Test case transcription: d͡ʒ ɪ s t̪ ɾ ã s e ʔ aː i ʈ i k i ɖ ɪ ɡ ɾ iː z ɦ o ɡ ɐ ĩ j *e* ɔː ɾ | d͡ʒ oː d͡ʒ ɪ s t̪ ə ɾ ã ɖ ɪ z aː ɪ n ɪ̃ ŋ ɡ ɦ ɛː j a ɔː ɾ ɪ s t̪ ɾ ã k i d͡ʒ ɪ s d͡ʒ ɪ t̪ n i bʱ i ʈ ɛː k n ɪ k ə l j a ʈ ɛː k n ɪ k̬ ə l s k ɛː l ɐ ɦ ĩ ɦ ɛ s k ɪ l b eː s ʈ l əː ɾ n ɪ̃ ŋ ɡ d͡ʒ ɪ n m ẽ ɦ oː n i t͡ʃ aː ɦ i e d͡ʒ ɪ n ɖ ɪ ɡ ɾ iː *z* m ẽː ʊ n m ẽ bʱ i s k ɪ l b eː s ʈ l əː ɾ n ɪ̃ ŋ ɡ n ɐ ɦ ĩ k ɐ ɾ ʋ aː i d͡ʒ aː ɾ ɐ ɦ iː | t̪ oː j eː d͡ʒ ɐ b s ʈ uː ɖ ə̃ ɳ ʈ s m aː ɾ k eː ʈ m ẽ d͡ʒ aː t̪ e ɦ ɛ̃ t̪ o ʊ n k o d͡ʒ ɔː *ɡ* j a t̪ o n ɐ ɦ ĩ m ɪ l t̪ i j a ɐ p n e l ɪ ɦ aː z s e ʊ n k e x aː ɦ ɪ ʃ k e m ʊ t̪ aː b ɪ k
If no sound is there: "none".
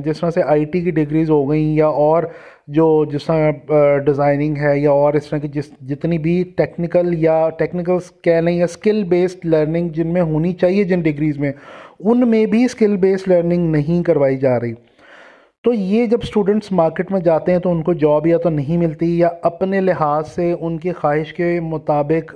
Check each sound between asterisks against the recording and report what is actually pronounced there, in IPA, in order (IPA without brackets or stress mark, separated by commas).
a, z, b